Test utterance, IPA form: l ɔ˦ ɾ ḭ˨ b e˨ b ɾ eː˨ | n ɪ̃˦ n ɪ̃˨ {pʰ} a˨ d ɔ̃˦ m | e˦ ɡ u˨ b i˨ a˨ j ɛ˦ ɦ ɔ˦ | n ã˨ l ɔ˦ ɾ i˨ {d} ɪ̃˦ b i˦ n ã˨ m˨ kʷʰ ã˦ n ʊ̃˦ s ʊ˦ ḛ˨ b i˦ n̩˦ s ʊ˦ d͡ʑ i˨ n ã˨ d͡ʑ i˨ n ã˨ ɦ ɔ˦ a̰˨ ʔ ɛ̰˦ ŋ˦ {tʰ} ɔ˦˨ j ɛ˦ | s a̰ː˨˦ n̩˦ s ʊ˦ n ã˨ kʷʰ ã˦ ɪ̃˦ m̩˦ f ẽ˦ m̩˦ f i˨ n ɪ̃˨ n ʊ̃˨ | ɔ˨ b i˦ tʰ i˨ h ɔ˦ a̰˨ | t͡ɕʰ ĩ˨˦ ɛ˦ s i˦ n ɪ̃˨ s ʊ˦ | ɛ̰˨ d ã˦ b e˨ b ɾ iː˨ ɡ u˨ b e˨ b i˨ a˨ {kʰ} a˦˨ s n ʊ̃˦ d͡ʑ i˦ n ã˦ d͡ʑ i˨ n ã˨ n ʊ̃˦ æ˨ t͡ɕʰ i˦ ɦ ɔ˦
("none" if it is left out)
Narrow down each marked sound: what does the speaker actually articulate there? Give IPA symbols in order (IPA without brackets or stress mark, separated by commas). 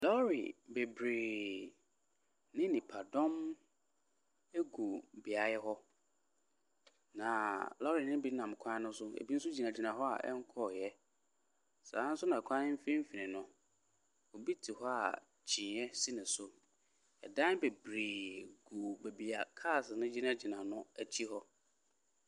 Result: pʰ, n, kʰ, kʰ